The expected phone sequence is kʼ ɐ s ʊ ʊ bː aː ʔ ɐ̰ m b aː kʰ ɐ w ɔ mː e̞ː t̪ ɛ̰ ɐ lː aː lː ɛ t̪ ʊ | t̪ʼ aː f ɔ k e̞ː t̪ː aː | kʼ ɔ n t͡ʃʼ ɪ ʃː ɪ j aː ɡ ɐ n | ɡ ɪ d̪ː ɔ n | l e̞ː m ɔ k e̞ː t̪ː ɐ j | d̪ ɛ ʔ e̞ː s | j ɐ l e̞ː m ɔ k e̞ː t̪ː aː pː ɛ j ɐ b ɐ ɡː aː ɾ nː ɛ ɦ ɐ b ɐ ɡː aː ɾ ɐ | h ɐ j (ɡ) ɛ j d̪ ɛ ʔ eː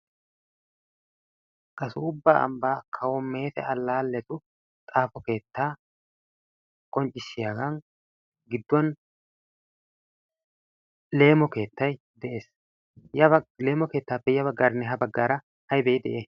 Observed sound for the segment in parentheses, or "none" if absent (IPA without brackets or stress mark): b